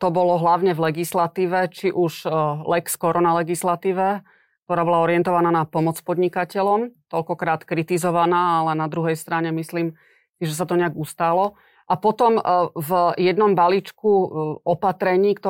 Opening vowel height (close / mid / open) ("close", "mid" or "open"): mid